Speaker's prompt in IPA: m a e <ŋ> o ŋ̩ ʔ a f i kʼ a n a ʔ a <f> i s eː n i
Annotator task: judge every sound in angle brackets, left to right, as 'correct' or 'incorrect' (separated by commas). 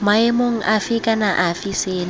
incorrect, correct